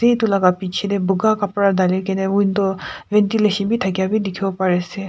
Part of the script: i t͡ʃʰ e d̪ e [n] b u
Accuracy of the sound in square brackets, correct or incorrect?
incorrect: none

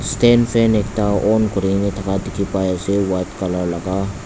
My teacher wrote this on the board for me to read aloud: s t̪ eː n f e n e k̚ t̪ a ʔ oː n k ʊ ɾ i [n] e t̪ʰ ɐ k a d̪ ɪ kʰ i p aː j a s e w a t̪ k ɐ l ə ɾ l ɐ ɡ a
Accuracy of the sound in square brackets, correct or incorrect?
correct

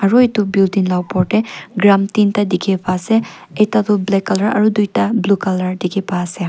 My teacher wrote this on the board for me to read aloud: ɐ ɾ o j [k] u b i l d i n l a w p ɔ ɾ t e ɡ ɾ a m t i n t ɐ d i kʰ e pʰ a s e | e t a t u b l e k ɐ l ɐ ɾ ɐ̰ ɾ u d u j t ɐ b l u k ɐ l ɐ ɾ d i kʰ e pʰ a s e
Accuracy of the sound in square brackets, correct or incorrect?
incorrect: t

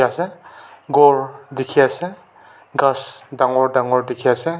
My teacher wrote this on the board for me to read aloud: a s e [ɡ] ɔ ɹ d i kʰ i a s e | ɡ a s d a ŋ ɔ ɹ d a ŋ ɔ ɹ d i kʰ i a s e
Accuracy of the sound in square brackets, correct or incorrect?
correct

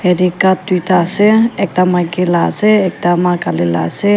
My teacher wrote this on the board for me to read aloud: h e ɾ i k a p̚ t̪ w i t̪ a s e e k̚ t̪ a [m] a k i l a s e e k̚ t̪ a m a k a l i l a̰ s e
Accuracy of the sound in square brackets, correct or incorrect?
correct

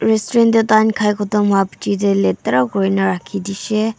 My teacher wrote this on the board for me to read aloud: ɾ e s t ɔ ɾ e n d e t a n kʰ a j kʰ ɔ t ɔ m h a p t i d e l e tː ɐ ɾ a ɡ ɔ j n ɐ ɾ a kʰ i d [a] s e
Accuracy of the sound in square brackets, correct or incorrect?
incorrect: i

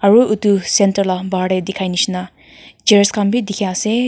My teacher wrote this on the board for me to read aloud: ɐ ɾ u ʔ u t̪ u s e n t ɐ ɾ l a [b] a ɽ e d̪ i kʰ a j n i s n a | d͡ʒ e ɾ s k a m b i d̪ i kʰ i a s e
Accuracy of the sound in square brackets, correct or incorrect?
correct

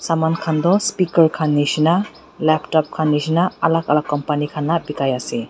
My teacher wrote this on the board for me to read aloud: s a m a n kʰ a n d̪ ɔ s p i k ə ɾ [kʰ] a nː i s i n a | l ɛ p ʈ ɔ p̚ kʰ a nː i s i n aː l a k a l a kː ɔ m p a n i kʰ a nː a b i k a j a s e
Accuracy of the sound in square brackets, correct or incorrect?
correct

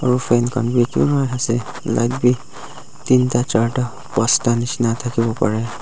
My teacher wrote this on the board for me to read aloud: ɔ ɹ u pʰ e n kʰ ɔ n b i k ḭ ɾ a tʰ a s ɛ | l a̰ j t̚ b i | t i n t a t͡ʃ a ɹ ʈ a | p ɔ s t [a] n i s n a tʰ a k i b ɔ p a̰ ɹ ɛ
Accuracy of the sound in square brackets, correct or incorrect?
correct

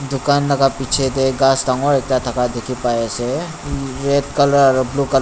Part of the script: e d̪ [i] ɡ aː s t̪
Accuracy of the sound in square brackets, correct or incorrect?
incorrect: e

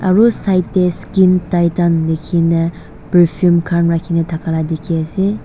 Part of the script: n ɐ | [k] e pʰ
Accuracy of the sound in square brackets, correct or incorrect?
incorrect: p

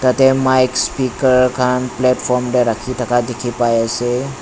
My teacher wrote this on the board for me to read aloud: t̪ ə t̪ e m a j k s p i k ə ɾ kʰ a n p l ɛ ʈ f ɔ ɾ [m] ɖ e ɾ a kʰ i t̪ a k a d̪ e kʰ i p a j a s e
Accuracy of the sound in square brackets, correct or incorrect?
correct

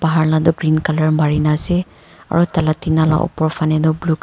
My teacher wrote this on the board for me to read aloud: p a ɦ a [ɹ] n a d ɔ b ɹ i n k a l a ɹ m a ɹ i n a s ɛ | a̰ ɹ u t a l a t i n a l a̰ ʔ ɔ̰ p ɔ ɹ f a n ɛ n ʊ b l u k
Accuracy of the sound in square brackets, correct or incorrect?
correct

